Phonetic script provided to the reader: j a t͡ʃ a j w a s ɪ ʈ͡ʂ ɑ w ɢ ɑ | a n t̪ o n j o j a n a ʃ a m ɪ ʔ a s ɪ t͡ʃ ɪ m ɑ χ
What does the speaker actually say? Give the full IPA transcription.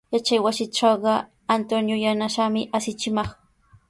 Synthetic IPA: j a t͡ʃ a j w a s ɪ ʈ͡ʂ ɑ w ɢ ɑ | a n t̪ o n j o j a n a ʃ a m ɪ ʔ a s ɪ t͡ʃ ɪ m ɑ χ